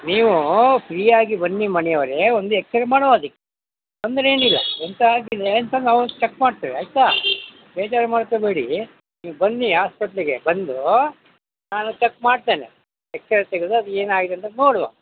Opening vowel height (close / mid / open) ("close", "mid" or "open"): close